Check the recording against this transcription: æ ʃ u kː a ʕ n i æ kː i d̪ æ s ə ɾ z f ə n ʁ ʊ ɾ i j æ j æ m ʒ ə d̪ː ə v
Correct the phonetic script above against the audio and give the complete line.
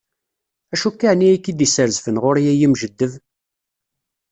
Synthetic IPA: æ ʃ u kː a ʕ n i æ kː i d̪ i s ə ɾ z f ə n ʁ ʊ ɾ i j æ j i m ʒ ə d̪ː ə v